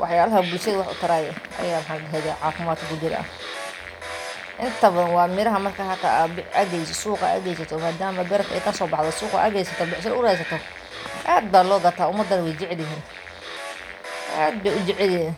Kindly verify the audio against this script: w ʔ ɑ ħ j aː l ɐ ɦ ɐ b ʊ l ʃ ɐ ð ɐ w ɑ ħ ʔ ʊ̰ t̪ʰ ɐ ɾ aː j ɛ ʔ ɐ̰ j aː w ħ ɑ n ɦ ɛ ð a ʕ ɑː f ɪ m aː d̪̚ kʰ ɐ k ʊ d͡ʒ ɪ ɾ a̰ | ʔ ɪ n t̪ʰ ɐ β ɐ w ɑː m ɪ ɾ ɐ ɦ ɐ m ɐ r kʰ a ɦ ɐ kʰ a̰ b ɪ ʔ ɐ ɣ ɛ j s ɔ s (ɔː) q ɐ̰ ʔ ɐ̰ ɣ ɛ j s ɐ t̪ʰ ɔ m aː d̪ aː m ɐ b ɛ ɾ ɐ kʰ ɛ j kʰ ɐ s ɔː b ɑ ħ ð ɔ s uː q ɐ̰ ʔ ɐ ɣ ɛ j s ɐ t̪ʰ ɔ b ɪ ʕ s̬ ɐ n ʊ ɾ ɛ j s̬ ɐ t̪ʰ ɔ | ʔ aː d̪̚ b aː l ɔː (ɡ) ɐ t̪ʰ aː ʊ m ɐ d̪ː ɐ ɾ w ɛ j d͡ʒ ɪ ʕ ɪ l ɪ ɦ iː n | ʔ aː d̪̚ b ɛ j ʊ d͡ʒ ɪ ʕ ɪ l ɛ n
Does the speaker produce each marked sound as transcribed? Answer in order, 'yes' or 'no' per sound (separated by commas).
no, yes